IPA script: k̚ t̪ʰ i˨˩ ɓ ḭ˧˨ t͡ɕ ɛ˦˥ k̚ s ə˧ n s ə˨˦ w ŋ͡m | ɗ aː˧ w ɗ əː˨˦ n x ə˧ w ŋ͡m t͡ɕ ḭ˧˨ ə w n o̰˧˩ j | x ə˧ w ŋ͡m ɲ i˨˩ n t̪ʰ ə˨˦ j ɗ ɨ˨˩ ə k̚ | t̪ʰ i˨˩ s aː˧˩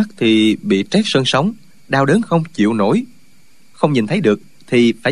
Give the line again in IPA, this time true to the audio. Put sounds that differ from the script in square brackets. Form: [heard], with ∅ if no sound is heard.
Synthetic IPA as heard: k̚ t̪ʰ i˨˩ ɓ ḭ˧˨ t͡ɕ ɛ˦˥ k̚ s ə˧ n s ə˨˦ w ŋ͡m | ɗ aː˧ w ɗ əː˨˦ n x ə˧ w ŋ͡m t͡ɕ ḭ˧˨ ə w n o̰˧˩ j | x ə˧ w ŋ͡m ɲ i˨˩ n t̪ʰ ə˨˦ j ɗ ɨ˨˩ ə k̚ | t̪ʰ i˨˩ [f] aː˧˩